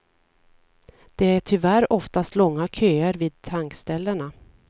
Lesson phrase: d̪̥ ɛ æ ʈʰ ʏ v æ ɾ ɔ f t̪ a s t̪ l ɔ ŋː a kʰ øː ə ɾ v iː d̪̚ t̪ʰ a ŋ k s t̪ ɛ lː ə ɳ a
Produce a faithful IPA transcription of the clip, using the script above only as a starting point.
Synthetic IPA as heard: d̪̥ ɛ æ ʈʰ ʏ v æ ɾ ɔ f t̪ a s t̪ l ɔ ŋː a kʰ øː ə ɾ v iː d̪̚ t̪ʰ a ŋ k s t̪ ɛ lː ə ɳ a